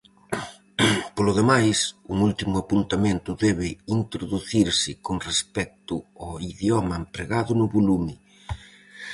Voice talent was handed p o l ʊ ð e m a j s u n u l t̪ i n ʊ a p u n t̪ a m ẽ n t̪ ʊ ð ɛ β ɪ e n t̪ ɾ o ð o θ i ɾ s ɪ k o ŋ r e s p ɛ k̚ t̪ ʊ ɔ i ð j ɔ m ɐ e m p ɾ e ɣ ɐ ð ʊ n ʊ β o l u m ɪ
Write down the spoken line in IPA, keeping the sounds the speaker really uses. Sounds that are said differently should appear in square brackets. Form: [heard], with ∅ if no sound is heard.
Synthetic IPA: p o l ʊ ð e m a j s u [ŋ] u l t̪ i [m] ʊ a p u n t̪ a m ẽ n t̪ ʊ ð ɛ β ɪ [i] n t̪ ɾ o ð [u] θ i ɾ s ɪ k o ŋ r e s p ɛ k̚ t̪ ʊ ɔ i ð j ɔ m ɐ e m p ɾ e ɣ [a] ð ʊ n ʊ β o l u m ɪ